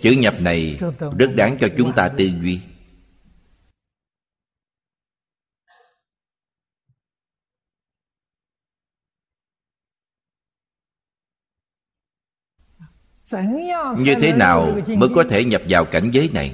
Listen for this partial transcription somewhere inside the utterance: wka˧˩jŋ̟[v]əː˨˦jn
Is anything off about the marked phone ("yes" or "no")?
yes